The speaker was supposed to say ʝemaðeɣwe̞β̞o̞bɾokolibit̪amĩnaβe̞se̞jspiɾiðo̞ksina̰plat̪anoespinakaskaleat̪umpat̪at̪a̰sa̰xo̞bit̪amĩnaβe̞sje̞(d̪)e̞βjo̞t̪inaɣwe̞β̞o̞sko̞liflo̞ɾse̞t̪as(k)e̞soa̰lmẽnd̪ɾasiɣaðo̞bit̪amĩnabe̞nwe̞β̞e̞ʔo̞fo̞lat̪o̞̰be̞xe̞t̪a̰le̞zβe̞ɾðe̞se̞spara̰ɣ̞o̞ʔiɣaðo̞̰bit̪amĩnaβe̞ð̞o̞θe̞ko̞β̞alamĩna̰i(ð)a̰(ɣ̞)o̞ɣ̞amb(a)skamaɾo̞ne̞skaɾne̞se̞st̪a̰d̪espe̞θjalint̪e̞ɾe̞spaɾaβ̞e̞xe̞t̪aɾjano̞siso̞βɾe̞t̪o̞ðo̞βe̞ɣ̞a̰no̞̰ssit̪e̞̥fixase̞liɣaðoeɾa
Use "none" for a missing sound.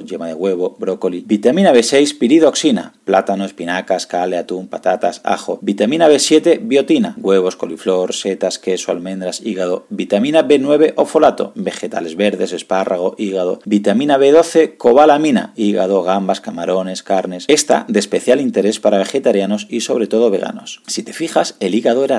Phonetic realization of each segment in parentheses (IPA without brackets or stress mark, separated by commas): t̪, k, ɣ, ð̞, a